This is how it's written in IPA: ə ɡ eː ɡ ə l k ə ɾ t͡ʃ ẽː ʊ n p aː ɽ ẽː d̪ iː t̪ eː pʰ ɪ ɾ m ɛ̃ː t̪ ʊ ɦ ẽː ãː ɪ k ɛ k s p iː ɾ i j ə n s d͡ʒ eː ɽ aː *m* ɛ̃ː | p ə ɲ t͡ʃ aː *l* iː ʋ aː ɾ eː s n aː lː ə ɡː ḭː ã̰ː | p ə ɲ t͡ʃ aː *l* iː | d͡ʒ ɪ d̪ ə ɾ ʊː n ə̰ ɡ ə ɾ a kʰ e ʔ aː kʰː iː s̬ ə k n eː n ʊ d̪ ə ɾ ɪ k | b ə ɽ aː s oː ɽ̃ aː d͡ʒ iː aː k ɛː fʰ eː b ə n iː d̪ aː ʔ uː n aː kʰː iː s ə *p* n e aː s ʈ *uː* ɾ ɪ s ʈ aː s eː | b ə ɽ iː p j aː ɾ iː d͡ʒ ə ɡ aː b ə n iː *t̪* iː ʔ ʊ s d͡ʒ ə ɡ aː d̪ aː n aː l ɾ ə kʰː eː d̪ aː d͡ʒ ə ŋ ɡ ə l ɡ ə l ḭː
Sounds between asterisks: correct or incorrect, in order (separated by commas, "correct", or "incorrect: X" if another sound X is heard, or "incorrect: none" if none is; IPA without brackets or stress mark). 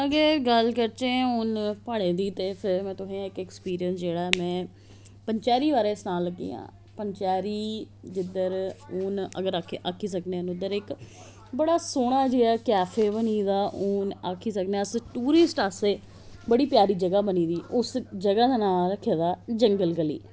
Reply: correct, incorrect: ɾ, incorrect: ɾ, incorrect: k, correct, incorrect: d̪